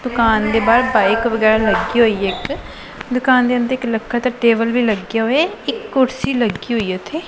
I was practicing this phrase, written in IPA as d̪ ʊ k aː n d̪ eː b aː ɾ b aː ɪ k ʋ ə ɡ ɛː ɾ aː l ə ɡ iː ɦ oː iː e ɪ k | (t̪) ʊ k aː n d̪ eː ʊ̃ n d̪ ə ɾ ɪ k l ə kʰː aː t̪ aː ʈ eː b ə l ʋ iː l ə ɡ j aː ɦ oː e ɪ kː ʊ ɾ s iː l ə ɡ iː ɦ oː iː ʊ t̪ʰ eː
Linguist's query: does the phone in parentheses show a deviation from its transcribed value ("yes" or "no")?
yes